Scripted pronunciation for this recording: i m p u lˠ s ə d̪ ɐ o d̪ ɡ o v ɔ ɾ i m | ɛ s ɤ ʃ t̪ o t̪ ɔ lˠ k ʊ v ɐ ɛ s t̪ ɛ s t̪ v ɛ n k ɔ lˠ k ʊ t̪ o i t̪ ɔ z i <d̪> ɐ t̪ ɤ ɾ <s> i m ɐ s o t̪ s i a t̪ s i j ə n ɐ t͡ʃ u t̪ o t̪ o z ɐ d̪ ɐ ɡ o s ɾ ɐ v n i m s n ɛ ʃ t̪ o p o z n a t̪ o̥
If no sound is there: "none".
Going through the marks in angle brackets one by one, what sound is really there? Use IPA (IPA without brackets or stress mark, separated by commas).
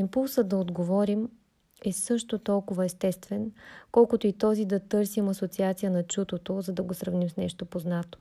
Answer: d̪, s